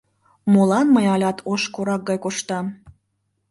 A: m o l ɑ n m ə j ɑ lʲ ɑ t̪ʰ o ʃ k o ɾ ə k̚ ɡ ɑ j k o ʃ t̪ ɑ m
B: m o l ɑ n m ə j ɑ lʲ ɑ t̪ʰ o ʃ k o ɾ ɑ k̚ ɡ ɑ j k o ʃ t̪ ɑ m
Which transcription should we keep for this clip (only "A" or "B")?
B